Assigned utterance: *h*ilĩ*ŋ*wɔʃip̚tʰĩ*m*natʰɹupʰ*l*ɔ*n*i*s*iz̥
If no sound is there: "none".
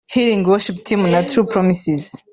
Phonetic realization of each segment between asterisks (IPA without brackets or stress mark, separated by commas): h, ŋ, m, ɹ, m, s